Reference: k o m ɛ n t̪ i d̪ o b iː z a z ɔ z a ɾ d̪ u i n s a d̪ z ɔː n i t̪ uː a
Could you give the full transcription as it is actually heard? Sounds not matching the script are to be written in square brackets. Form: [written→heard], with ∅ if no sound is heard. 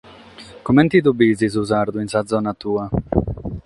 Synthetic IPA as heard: k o m ɛ n t̪ i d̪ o b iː z [a→i] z [ɔ→u] z a ɾ d̪ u i n s a d̪ z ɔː n [i→a] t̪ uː a